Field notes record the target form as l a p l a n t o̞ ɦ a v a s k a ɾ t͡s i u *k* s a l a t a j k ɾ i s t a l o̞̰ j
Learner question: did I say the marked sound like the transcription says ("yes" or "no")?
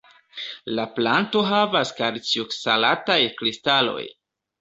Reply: yes